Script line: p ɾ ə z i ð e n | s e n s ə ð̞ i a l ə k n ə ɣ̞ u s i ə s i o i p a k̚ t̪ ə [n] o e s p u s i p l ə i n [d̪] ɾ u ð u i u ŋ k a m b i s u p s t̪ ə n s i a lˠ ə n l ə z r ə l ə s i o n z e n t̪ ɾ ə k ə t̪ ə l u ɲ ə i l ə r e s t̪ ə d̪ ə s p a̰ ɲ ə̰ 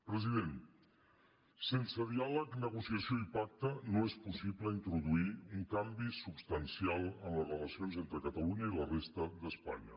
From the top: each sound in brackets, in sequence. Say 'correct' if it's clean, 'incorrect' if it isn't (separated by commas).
correct, incorrect